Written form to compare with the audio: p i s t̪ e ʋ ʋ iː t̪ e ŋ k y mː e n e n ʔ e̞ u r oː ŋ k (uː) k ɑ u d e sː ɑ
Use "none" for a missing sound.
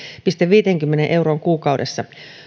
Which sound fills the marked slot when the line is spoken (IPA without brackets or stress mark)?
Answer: uː